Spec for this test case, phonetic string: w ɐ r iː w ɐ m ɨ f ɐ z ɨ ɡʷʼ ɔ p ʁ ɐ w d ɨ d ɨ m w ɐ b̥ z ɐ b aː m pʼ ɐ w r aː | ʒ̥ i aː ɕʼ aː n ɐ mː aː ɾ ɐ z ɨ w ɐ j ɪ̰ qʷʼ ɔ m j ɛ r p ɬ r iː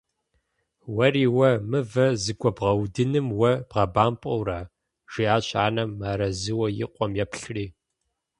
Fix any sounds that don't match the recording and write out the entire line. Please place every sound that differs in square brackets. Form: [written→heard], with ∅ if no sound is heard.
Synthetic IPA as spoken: w ɐ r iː w ɐ m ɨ [f→v] ɐ z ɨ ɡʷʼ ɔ [p→b] ʁ ɐ w d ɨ [d→n] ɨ m w ɐ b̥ [z→ʁ] ɐ b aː m pʼ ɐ w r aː | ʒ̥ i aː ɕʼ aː n ɐ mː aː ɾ ɐ z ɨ w ɐ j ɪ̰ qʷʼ ɔ m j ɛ [r→∅] p ɬ r iː